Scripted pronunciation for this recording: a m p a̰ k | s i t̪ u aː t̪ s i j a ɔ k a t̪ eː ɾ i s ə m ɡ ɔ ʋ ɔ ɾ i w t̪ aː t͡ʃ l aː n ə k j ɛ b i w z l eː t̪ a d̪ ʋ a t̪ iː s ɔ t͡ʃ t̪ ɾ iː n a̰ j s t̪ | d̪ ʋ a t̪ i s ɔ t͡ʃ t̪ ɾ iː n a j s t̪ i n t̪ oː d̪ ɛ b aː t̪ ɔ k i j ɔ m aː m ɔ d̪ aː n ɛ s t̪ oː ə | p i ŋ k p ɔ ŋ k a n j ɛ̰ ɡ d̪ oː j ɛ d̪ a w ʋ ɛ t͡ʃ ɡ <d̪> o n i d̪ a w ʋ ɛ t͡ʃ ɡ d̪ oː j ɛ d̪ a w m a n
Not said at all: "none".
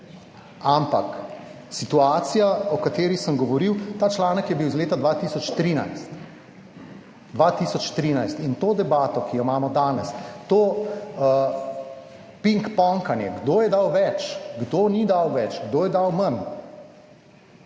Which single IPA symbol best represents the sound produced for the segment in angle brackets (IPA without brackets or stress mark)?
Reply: d̪